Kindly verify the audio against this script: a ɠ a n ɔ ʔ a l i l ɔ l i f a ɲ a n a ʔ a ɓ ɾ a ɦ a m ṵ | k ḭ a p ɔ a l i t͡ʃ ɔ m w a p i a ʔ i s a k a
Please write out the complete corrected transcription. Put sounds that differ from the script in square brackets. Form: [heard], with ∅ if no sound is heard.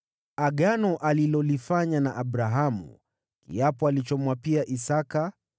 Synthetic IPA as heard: a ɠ a n ɔ ʔ a l i l ɔ l i f a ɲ a n a ʔ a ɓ ɾ a ɦ a m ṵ | k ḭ a p ɔ a l i t͡ʃ ɔ m w a p i a ʔ i s a k a